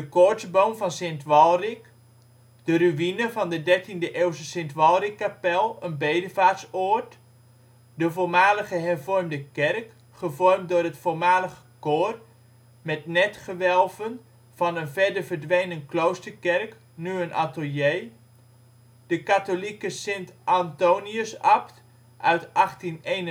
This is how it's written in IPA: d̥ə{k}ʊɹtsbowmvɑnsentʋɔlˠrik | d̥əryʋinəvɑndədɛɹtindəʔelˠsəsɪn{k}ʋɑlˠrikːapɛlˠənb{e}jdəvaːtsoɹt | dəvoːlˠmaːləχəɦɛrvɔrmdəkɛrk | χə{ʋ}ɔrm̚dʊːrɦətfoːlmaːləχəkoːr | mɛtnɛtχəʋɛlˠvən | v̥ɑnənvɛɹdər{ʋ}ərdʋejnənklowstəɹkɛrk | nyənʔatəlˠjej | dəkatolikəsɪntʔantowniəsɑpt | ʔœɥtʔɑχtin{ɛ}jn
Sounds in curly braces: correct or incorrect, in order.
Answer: correct, incorrect: t, correct, incorrect: v, incorrect: v, incorrect: e

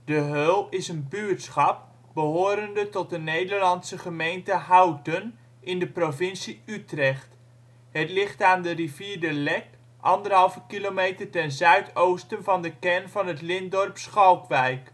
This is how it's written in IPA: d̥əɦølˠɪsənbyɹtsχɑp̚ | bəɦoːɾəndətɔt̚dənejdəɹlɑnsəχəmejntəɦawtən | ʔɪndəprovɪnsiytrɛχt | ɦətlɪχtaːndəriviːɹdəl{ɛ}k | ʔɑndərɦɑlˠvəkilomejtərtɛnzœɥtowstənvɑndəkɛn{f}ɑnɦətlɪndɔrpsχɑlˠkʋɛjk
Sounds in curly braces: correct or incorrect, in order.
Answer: correct, incorrect: v

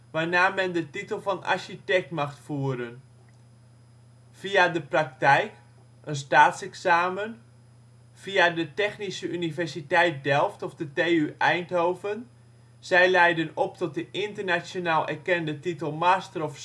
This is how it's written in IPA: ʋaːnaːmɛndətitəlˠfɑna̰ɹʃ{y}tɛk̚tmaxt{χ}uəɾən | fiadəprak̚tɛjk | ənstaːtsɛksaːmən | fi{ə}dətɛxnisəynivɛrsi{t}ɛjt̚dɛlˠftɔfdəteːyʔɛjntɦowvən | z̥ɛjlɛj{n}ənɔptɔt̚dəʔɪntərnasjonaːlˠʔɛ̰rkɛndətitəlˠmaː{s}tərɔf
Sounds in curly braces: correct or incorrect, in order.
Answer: incorrect: i, incorrect: f, incorrect: a, correct, incorrect: d, correct

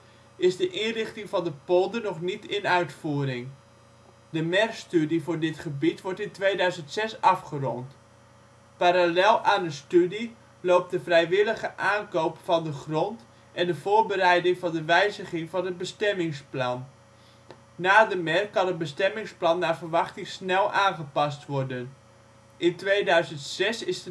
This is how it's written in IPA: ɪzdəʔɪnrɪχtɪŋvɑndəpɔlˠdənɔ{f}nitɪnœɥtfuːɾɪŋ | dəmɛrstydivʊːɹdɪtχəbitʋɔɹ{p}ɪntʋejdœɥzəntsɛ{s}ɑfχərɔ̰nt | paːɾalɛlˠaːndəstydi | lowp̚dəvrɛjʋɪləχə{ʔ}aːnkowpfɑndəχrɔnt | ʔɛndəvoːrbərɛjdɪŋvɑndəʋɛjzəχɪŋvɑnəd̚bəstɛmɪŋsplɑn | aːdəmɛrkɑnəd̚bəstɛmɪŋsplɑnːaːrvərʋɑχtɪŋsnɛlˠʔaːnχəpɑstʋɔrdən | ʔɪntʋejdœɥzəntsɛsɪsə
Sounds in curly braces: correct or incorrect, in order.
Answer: incorrect: χ, incorrect: t, correct, correct

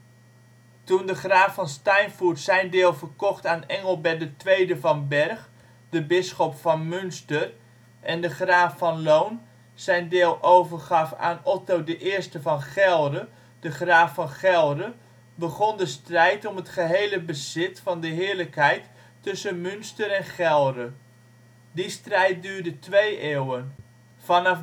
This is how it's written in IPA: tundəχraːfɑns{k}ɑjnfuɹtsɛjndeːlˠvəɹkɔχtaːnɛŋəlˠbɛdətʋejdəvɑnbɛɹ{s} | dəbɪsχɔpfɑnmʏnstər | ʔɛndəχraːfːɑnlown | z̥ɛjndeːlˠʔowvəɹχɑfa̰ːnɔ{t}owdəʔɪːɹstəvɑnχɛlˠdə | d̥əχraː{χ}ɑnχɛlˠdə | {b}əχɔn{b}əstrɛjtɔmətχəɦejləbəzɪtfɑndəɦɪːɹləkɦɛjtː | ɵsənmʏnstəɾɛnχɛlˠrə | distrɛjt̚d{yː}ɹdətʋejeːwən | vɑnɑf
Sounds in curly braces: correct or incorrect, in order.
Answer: incorrect: t, incorrect: χ, correct, incorrect: f, correct, incorrect: d, correct

